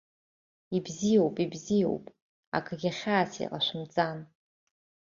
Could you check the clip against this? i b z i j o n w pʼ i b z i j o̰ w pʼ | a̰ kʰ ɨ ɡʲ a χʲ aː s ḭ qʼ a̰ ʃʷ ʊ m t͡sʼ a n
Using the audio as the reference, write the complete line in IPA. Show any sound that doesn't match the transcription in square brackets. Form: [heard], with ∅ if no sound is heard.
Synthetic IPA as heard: i b z i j o [∅] w pʼ i b z i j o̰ w pʼ | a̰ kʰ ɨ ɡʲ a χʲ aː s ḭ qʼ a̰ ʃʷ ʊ m t͡sʼ a n